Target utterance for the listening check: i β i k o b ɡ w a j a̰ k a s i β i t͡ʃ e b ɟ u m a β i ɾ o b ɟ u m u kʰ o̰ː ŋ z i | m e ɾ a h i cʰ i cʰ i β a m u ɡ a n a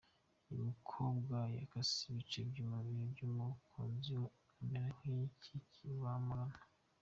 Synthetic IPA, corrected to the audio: i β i kʰ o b ɡ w a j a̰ k a s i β i t͡ʃ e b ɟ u m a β i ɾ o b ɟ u m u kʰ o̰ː n z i | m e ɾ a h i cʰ i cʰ i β a m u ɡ a n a